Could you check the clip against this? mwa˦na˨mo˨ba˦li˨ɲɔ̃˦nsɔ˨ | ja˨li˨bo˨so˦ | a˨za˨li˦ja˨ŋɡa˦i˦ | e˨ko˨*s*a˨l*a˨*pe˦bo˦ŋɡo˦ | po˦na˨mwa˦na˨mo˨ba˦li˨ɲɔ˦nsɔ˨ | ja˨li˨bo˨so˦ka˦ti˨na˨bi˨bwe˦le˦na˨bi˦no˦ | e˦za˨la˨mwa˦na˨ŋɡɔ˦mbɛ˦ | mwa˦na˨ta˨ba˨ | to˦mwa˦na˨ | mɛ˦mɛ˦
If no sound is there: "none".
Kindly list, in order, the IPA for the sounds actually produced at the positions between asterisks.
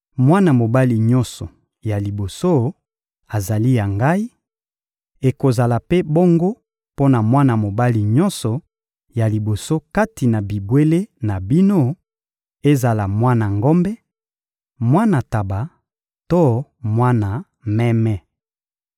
z, a˨

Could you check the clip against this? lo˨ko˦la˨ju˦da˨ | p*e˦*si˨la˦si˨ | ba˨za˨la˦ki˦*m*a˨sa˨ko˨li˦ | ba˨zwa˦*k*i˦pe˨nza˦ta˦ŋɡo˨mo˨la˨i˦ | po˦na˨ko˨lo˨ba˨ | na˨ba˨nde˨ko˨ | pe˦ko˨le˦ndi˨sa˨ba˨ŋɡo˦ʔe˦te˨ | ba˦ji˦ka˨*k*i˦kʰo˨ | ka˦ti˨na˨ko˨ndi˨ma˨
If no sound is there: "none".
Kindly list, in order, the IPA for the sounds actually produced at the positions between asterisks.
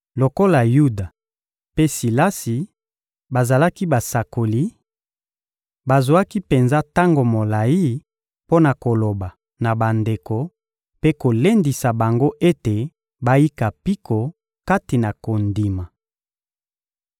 e˦, b, k, p

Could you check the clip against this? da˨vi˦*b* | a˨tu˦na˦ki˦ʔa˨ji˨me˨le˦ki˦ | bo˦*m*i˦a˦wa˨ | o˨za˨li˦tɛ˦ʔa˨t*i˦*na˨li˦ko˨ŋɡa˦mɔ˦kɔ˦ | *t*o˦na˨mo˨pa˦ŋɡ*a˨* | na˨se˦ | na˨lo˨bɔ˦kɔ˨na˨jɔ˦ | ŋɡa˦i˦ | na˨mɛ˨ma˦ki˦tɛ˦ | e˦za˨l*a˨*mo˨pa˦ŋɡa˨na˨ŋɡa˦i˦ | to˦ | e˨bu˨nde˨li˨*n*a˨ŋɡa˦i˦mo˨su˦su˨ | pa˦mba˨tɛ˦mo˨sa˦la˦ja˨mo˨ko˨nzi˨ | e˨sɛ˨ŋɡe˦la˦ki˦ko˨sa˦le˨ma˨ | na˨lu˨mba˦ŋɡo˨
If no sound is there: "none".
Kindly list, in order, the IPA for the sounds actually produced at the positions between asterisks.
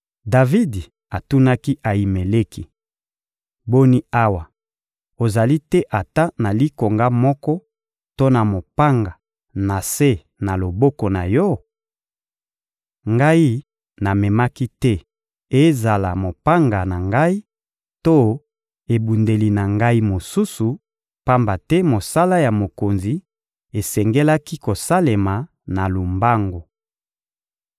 d, n, a˦, t, a˨, a˨, n

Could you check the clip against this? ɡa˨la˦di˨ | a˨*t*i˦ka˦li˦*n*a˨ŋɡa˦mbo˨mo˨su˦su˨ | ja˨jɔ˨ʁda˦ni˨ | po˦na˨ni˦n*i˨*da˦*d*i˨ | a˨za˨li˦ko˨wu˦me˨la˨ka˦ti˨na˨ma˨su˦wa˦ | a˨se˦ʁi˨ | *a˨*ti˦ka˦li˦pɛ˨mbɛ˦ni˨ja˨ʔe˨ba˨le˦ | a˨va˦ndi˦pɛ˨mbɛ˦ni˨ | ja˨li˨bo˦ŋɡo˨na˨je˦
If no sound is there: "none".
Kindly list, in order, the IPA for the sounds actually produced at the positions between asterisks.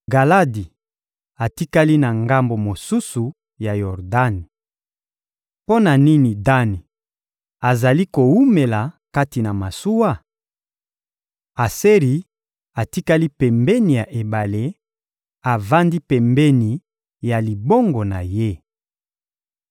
t, n, i˨, n, a˨

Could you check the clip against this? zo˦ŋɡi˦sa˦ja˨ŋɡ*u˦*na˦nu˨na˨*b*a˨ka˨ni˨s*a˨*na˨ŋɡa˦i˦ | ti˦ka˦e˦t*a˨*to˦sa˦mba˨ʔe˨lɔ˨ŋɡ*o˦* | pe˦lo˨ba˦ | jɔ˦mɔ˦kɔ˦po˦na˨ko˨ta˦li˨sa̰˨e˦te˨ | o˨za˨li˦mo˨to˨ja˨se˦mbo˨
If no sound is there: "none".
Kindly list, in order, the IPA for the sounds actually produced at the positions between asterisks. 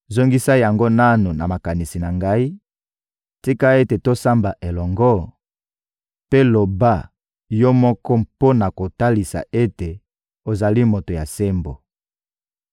o˦, m, i˨, e˨, ɔ˦

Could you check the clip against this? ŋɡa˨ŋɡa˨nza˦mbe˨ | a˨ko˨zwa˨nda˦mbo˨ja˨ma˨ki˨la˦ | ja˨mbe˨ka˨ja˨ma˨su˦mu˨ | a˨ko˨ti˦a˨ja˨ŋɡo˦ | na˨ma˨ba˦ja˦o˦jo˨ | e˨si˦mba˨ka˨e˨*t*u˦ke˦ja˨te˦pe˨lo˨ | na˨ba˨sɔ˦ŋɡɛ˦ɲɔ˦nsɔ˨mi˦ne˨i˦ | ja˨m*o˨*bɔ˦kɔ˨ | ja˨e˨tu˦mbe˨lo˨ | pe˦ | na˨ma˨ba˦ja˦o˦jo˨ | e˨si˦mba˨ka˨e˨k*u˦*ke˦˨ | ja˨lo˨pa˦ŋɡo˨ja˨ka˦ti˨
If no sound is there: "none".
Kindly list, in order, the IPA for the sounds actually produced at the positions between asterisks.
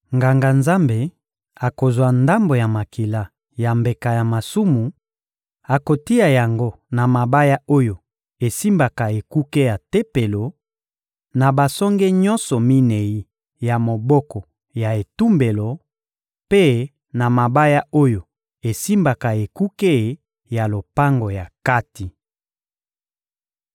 k, o˨, u˦

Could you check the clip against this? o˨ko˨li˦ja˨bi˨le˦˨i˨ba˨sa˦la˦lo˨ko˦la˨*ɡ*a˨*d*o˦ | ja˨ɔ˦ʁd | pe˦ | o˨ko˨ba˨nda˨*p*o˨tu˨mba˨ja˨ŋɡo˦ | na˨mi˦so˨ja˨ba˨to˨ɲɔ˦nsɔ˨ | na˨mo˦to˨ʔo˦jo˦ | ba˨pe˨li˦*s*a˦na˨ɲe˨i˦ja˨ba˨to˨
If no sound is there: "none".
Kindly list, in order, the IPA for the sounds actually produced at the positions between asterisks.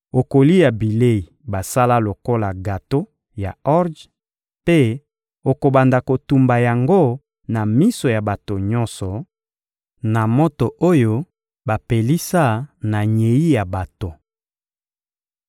ɡ, t, k, s

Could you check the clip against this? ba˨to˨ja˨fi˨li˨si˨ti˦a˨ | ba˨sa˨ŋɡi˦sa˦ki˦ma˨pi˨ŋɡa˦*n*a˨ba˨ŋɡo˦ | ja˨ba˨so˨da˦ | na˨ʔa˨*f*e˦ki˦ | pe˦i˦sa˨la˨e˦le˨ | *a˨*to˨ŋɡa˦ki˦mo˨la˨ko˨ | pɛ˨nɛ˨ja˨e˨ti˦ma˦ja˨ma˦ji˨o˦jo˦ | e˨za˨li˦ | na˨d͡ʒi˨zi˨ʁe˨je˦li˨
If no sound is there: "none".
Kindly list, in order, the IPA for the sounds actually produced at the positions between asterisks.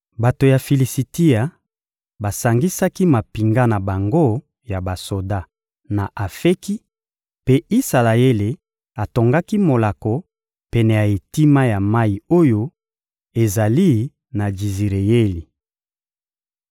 n, f, a˨

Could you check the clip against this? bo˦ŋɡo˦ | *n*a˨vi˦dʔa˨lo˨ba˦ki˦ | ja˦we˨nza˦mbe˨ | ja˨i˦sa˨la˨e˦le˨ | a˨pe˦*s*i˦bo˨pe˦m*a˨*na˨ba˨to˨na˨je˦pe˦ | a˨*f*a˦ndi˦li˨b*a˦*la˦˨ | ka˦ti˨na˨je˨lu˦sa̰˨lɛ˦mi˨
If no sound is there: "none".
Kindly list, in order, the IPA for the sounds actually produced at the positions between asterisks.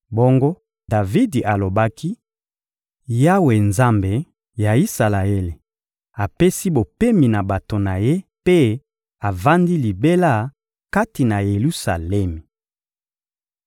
d, s, i˨, v, e˦

